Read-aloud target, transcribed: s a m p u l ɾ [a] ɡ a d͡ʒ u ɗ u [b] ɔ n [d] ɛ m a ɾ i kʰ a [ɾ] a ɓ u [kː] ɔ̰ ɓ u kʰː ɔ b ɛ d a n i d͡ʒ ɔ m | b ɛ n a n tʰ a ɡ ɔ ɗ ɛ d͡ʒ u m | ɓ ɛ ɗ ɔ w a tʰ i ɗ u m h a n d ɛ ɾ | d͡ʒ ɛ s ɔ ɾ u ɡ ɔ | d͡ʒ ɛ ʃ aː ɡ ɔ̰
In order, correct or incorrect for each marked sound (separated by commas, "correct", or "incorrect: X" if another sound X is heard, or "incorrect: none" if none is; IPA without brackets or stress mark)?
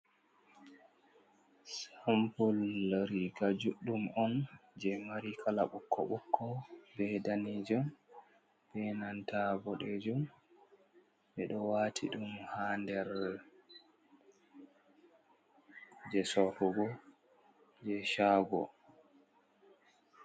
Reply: incorrect: i, incorrect: m, incorrect: d͡ʒ, incorrect: l, correct